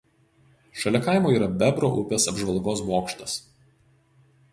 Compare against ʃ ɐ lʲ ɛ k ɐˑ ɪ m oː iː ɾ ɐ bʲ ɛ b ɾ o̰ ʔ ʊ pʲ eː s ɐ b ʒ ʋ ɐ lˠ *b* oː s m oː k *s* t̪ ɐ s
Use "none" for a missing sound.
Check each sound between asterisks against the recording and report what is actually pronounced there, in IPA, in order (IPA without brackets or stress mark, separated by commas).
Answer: ɡ, ʃ